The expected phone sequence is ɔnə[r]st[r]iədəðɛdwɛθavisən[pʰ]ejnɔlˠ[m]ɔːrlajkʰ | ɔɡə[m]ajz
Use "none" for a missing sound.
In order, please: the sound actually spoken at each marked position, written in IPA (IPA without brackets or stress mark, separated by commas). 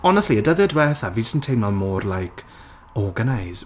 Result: none, l, tʰ, m, n